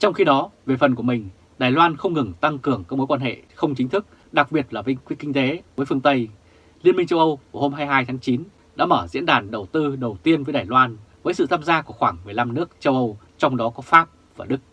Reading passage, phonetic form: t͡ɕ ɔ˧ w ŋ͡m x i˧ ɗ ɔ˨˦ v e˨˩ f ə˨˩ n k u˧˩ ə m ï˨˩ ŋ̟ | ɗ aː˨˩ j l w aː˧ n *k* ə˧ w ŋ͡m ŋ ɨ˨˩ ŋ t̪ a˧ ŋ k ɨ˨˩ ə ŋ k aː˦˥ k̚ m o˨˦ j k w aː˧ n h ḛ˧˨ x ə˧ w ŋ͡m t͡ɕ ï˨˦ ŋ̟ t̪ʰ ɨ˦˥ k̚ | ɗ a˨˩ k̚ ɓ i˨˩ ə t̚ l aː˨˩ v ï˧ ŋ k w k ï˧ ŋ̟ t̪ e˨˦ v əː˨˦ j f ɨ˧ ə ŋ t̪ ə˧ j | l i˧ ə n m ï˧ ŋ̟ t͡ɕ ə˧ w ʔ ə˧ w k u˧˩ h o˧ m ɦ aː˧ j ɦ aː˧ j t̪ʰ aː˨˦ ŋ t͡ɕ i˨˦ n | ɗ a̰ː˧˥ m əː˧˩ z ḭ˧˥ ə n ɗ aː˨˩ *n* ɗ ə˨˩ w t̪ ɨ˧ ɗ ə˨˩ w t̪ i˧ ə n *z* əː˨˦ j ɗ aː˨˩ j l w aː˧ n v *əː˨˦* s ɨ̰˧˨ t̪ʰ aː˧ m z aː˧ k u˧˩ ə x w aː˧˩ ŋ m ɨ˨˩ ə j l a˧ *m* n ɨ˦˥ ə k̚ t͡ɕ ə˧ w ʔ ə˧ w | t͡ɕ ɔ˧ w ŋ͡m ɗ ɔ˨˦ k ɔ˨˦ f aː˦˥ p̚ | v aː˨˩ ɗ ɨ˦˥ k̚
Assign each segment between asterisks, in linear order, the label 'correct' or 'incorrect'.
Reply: incorrect: x, correct, incorrect: v, correct, correct

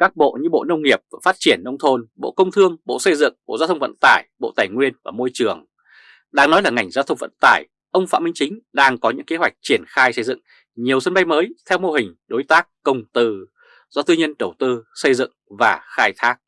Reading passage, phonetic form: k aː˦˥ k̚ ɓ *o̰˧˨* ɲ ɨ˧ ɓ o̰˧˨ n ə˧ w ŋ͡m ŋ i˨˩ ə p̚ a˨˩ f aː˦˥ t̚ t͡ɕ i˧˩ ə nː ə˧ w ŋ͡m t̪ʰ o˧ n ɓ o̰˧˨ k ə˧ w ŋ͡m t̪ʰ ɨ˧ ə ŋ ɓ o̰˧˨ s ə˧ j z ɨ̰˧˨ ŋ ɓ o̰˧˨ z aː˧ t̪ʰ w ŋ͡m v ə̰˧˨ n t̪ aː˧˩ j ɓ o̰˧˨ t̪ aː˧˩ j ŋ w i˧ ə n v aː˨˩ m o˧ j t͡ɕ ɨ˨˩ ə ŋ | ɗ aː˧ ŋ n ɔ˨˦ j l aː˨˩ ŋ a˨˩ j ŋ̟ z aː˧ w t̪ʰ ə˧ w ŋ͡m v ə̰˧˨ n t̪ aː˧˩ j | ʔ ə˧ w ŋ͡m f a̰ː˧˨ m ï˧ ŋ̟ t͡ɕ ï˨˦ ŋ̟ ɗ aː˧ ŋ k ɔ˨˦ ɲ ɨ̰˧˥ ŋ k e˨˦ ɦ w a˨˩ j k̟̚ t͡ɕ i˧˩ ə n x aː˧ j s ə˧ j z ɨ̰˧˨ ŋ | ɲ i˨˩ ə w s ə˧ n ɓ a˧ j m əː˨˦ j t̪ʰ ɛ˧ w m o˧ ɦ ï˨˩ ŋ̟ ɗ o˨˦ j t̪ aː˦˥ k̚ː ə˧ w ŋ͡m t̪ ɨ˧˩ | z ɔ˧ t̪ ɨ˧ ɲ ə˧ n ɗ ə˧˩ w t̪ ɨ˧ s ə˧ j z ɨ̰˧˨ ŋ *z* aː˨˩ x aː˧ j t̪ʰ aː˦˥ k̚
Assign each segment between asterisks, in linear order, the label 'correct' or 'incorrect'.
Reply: correct, incorrect: v

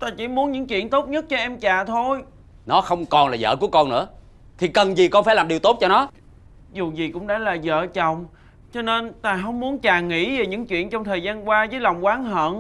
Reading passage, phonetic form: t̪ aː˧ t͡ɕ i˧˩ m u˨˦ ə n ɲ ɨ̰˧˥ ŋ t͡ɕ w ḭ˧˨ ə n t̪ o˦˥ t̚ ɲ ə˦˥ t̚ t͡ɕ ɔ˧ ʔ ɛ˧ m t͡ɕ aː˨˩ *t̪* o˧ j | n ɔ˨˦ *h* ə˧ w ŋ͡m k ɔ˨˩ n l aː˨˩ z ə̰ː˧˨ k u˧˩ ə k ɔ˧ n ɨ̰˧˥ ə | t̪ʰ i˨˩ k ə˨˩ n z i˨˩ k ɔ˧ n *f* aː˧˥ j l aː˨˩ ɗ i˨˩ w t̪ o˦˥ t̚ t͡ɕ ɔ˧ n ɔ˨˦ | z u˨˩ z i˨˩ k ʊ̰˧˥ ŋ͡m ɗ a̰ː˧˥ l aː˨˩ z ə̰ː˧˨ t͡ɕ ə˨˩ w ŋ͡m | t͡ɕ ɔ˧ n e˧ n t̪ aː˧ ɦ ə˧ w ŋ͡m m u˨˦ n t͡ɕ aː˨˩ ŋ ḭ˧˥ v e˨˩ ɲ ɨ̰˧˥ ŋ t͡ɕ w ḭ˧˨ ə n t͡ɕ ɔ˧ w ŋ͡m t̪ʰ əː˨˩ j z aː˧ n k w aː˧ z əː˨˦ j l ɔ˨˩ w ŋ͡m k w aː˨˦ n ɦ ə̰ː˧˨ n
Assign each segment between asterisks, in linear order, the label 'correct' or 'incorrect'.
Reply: incorrect: t̪ʰ, incorrect: x, correct

